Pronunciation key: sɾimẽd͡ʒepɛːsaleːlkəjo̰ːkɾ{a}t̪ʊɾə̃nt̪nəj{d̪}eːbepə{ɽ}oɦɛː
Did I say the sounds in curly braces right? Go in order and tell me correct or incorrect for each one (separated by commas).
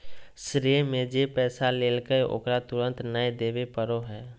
correct, correct, incorrect